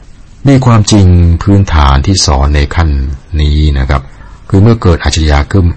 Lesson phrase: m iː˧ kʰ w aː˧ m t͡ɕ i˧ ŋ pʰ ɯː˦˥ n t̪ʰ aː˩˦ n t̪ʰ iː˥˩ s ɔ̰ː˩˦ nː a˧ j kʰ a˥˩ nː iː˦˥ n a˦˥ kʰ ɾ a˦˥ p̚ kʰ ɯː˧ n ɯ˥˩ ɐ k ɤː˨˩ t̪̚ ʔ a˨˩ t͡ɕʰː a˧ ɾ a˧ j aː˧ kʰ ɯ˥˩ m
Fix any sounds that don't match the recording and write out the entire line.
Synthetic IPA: m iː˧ kʰ w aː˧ m t͡ɕ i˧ ŋ pʰ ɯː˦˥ n t̪ʰ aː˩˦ n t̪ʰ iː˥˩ s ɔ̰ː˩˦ nː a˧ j kʰ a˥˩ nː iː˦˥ n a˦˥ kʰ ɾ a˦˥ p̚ kʰ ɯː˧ m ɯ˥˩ ɐ k ɤː˨˩ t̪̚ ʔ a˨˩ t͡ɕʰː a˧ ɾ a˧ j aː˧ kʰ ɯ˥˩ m